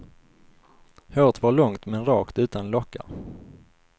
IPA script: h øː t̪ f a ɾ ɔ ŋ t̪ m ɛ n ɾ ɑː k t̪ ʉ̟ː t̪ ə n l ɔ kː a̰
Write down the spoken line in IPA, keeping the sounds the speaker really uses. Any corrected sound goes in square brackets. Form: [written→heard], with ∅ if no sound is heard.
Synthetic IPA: h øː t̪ [f→v] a [ɾ→ɭ] ɔ ŋ t̪ m ɛ n ɾ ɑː k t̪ ʉ̟ː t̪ [ə→a] n l ɔ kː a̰